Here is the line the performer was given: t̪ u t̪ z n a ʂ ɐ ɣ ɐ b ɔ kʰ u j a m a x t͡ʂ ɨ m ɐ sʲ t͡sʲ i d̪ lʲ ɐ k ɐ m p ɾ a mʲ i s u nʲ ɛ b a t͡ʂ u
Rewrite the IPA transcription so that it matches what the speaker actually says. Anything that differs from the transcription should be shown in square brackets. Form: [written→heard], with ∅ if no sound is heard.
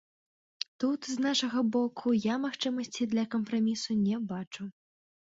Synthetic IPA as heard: t̪ u t̪ z n a ʂ ɐ ɣ ɐ b ɔ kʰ u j a m a x t͡ʂ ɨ m ɐ sʲ t͡sʲ i d̪ lʲ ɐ k ɐ m p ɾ a mʲ i s u nʲ ɛ b a t͡ʂ u